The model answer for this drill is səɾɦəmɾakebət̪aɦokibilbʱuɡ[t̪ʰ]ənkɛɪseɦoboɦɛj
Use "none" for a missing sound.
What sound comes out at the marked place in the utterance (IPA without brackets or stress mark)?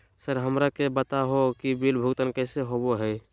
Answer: t̪